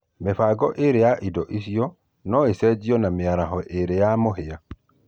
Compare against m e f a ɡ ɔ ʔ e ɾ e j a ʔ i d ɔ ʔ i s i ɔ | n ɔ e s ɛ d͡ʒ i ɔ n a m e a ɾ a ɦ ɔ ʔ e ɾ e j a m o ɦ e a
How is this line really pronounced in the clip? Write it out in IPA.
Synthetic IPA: m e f a ɡ ɔ ʔ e ɾ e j a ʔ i d ɔ ʔ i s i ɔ | n ɔ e s ɛ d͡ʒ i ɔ n a m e a ɾ a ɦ ɔ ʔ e ɾ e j a m o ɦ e a